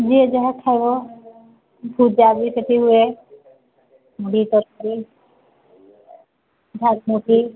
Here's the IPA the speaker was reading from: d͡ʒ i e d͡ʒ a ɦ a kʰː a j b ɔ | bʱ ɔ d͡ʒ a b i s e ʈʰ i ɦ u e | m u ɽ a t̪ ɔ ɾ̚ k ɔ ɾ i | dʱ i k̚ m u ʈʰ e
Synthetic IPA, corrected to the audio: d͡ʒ i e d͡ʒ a ɦ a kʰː a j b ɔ | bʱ u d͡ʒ a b i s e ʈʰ i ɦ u e | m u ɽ i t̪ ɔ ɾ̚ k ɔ ɾ i | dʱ a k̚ m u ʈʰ i